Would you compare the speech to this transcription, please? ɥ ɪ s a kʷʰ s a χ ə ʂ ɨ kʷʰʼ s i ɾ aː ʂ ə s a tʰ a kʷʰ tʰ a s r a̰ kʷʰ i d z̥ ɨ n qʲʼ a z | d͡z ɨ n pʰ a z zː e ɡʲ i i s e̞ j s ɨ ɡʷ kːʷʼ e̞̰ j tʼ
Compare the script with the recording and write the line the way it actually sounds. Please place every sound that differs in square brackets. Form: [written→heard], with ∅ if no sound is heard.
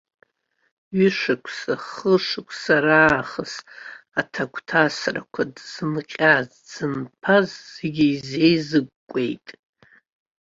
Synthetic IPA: ɥ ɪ [s→ʂ] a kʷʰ s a χ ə ʂ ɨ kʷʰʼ s [i→a] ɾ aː [ʂ→χ] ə s a tʰ a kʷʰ tʰ a s r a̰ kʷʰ [i→a] d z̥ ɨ n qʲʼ a z | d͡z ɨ n pʰ a z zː e ɡʲ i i [s→z] e̞ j [s→z] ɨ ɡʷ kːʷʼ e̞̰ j tʼ